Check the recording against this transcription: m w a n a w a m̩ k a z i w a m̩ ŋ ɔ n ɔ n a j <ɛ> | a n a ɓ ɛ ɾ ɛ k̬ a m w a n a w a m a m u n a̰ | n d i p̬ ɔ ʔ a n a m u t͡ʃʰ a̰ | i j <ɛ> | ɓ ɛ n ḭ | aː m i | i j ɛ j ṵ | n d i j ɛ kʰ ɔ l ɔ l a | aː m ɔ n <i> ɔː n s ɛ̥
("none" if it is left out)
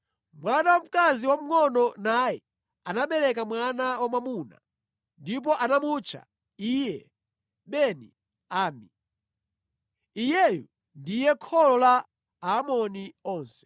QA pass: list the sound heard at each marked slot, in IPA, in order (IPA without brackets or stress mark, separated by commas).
ɛ, ɛ, i